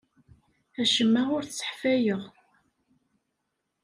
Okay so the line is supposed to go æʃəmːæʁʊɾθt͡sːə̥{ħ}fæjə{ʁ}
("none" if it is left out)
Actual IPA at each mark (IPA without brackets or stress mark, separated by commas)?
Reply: ħ, ʁ